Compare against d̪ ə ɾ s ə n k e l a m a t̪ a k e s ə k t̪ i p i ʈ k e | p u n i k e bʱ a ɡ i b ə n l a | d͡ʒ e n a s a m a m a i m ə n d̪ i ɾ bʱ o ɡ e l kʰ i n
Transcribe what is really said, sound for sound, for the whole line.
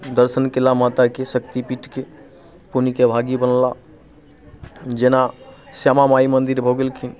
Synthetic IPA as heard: d̪ ə ɾ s ə n k e l a m a t̪ a k e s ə k t̪ i p i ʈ k e | p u n i k e bʱ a ɡ i b ə n l a | d͡ʒ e n a s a m a m a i m ə n d̪ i ɾ bʱ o ɡ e l kʰ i n